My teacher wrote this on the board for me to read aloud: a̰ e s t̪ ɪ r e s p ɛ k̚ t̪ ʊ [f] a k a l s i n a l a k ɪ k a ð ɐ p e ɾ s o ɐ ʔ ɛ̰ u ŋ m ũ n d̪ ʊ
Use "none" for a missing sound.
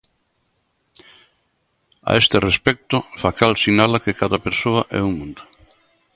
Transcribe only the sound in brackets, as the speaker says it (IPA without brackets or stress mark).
f